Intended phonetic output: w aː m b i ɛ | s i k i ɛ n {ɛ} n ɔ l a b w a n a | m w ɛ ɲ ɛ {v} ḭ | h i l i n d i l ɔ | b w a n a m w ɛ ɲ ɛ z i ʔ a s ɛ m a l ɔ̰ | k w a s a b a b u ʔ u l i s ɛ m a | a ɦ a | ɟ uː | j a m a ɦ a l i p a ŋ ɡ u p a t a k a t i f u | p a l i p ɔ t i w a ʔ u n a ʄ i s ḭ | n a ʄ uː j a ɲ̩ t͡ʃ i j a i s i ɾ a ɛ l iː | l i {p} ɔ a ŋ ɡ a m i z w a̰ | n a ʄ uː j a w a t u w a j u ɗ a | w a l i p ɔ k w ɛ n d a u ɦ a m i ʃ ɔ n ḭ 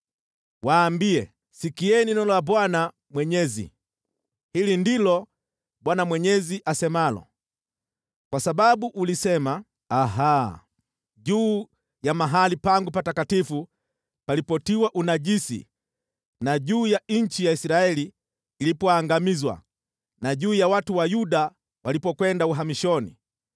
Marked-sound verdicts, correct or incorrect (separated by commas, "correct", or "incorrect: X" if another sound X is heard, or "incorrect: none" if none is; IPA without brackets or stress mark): incorrect: i, incorrect: z, correct